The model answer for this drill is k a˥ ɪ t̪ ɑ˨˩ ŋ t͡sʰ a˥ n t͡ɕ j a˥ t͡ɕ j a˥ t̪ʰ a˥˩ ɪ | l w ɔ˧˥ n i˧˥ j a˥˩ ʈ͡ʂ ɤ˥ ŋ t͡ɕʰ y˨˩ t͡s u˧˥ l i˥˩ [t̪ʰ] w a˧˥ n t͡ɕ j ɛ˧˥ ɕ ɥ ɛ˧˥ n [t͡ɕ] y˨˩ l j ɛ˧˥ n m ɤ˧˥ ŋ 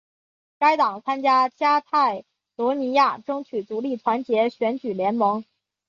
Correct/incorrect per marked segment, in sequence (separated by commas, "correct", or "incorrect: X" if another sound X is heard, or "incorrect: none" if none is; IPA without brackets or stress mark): correct, correct